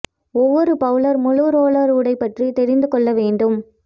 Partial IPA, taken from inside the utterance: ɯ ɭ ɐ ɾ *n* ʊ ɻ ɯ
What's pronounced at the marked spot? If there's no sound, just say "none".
m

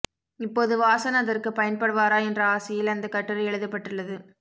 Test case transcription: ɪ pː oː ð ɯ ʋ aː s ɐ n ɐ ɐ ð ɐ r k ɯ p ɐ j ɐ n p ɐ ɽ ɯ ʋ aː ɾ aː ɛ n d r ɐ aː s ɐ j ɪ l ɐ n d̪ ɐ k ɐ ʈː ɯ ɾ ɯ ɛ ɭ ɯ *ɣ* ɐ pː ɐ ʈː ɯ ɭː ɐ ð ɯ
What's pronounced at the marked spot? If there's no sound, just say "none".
ð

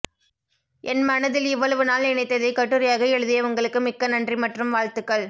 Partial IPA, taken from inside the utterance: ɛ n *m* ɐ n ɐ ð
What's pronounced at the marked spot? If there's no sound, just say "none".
m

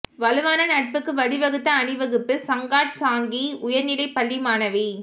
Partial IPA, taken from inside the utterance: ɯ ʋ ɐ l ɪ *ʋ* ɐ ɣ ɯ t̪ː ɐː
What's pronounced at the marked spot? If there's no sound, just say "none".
ʋ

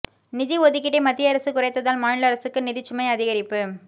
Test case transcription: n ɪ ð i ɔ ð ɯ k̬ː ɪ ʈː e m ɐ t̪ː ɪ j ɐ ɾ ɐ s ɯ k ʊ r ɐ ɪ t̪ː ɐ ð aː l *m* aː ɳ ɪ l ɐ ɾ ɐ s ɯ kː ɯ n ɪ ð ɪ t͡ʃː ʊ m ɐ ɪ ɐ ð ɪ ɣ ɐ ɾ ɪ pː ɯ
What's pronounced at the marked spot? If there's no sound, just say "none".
m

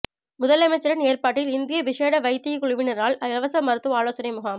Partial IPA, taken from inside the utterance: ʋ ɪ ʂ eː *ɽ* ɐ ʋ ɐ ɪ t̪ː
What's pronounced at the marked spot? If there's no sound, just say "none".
ɽ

